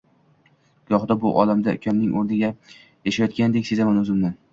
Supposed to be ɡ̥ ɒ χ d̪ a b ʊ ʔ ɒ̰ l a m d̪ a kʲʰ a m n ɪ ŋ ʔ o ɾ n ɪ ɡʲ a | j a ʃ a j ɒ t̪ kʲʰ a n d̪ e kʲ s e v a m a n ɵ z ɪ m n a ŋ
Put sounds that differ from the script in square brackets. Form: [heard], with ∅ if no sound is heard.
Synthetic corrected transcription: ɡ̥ ɒ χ d̪ a b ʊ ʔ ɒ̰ l a m d̪ a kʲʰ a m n ɪ ŋ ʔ o ɾ n ɪ ɡʲ a | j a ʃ a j ɒ t̪ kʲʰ a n d̪ e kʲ s e [z] a m a n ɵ z ɪ m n a [n]